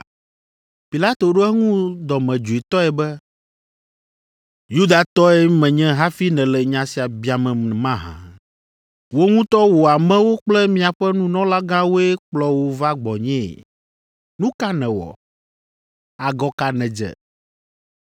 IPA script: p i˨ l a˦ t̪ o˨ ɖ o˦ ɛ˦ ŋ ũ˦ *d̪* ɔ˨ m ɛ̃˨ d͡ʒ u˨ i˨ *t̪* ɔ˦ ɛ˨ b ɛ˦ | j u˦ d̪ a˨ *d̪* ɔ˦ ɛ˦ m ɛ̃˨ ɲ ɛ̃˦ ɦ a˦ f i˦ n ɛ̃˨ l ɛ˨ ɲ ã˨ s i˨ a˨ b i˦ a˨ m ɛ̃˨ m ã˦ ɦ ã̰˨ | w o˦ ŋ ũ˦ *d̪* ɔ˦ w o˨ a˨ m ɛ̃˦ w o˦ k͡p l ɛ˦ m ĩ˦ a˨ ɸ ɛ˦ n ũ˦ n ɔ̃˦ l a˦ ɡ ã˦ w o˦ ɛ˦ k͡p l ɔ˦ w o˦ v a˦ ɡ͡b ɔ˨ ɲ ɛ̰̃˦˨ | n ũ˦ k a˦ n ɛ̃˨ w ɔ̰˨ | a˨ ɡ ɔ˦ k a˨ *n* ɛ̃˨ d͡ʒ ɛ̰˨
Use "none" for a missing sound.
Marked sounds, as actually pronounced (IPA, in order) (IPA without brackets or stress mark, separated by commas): d̪, t̪, t̪, t̪, n